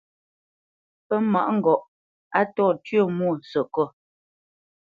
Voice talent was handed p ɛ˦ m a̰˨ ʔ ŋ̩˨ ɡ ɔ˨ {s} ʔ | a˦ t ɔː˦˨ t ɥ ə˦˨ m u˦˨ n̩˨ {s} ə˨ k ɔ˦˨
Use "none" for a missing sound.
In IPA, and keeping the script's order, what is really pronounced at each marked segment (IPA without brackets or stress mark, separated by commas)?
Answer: none, s